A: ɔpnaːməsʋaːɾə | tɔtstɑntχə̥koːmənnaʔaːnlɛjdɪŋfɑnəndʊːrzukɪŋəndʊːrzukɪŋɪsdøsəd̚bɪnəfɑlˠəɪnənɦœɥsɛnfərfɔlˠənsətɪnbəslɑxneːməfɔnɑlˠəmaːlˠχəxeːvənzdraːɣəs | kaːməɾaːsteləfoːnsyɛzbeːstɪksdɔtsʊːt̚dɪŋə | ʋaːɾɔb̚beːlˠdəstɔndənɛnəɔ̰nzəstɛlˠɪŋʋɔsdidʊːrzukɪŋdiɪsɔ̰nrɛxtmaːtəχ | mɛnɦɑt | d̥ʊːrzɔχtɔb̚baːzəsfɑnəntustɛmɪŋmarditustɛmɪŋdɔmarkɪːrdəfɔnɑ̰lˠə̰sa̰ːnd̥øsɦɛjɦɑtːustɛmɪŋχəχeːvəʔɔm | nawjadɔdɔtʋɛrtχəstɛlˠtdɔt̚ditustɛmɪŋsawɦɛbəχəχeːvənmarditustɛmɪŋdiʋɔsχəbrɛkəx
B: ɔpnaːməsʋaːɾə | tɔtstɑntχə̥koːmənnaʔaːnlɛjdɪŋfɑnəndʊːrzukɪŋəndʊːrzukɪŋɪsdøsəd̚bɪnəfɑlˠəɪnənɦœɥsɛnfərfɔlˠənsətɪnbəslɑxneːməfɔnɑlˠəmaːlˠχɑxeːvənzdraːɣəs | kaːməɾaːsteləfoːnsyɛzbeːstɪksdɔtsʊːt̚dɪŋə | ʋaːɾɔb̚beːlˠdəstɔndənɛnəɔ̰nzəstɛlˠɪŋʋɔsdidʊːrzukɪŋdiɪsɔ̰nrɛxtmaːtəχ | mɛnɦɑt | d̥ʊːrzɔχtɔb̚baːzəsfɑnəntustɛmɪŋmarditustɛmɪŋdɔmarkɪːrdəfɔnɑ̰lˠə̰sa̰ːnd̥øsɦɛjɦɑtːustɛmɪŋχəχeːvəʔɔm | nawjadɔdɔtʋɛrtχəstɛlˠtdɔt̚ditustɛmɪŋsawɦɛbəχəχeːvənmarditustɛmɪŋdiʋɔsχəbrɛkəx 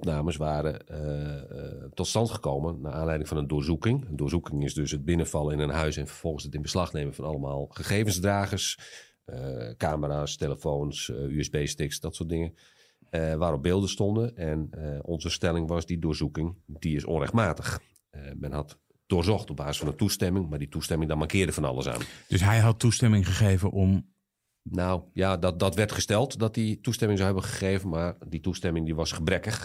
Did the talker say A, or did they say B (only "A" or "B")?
A